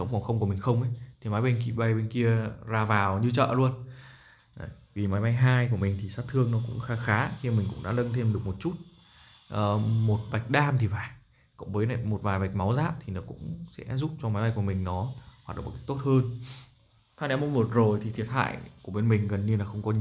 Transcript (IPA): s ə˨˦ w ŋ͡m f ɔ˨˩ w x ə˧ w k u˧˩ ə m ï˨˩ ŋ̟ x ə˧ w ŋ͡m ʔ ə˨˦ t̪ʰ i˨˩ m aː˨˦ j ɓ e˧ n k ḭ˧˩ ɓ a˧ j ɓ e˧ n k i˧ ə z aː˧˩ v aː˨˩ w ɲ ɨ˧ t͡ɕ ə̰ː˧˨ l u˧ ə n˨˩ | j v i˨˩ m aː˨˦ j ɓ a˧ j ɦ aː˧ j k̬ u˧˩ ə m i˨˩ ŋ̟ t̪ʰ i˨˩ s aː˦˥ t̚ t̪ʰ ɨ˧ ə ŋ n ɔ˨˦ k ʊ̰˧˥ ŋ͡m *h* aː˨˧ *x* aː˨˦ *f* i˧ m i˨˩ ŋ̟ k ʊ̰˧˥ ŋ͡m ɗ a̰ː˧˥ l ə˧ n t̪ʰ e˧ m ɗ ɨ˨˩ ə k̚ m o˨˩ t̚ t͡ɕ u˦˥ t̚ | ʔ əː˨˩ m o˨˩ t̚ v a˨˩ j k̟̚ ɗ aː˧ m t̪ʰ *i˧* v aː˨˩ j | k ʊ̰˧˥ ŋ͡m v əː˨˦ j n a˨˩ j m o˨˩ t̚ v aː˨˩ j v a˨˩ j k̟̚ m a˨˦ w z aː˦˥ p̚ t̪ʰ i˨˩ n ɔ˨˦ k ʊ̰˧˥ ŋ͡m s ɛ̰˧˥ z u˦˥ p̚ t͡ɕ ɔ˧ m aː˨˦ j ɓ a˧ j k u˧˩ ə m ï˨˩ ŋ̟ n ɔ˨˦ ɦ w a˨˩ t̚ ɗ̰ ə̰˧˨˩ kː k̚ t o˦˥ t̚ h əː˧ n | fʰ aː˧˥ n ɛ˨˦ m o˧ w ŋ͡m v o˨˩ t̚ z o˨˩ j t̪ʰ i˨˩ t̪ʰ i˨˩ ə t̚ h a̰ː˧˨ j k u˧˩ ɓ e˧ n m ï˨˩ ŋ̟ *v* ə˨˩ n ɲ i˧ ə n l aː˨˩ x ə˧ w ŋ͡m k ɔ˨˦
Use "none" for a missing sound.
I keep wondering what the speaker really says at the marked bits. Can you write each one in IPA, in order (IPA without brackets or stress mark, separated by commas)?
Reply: x, x, x, i˨˩, ɣ